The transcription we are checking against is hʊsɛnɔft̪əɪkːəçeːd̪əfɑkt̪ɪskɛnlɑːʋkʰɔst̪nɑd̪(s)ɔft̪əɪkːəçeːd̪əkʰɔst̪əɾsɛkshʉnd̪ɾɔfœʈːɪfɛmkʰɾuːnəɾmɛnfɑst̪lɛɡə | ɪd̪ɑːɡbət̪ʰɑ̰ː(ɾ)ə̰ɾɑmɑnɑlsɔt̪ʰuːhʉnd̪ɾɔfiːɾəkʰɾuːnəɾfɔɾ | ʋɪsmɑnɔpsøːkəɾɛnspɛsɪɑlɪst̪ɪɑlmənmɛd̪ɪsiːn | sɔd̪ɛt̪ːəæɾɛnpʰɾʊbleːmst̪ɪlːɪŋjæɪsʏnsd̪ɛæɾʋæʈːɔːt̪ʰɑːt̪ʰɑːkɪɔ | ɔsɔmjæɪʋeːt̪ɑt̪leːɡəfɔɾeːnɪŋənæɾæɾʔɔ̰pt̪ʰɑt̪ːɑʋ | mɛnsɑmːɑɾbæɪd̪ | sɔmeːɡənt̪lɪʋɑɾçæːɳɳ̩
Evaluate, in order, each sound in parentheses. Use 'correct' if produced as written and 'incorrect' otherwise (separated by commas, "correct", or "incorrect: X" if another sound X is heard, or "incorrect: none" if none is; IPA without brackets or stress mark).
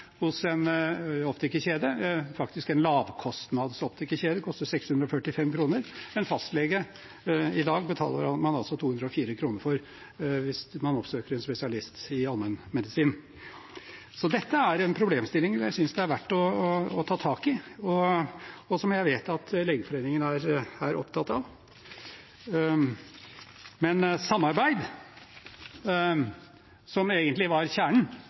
correct, incorrect: l